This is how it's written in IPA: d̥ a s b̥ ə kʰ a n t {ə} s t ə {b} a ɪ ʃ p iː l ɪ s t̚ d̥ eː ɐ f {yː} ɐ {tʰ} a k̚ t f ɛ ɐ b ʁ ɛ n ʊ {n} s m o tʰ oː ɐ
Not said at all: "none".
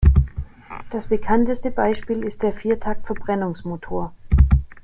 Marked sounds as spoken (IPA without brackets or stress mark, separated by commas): ə, b, iː, tʰ, ŋ